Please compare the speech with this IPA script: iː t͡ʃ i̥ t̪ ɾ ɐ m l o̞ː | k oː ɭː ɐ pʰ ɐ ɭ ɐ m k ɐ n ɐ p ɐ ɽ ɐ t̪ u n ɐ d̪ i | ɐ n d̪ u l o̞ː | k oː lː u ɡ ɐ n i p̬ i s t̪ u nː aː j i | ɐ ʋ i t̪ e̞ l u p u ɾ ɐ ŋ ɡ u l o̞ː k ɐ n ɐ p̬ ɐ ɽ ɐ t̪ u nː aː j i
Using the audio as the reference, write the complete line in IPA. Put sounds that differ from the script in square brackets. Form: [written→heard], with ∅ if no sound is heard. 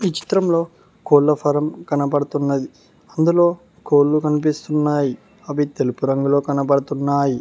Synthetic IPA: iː t͡ʃ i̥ t̪ ɾ ɐ m l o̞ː | k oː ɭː ɐ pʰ ɐ [ɭ→ɾ] ɐ m k ɐ n ɐ p ɐ ɽ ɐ t̪ u [n→nː] ɐ d̪ i | ɐ n d̪ u l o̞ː | k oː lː u [ɡ→k] ɐ n i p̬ i s t̪ u nː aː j i | ɐ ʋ i t̪ e̞ l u p u ɾ ɐ ŋ ɡ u l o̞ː k ɐ n ɐ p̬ ɐ ɽ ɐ t̪ u nː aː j i